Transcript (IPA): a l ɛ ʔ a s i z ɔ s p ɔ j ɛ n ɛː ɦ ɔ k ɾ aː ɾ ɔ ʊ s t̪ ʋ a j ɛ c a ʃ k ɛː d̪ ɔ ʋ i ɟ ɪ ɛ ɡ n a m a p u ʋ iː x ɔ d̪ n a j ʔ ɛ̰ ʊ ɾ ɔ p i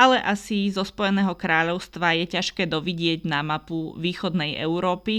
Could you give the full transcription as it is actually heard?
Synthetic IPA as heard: a l ɛ ʔ a s i z ɔ s p ɔ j ɛ n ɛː ɦ ɔ k ɾ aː ʎ ɔ ʊ s t̪ ʋ a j ɛ c a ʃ k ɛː d̪ ɔ ʋ i ɟ ɪ ɛ ɟ n a m a p u ʋ iː x ɔ d̪ n ɛ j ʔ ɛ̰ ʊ ɾ ɔː p i